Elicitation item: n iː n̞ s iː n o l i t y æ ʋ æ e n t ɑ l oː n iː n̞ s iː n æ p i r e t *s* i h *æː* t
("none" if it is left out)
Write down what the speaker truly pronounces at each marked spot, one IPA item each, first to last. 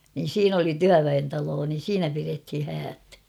h, æː

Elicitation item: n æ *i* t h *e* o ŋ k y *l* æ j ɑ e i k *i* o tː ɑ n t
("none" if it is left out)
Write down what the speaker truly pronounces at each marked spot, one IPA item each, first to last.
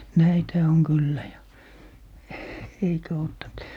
i, æ, lː, æ

